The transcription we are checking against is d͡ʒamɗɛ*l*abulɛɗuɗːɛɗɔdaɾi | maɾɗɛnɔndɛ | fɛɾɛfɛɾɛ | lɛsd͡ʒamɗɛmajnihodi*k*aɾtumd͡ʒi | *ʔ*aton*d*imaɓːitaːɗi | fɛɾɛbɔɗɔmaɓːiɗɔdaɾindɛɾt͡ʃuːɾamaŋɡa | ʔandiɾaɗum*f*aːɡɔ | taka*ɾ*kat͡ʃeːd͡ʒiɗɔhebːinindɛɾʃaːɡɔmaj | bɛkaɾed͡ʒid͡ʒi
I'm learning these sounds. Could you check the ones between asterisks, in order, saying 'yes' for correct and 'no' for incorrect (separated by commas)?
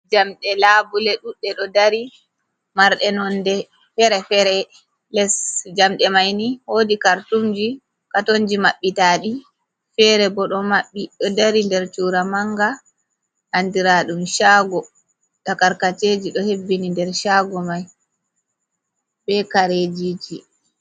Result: yes, yes, no, no, no, yes